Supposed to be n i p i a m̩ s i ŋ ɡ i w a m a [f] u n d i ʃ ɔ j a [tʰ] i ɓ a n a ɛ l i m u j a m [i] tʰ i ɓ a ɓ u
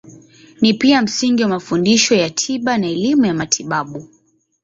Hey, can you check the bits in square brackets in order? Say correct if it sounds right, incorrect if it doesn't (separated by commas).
correct, correct, incorrect